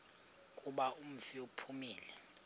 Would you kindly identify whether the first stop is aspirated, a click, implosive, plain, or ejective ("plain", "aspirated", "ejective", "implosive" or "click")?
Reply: ejective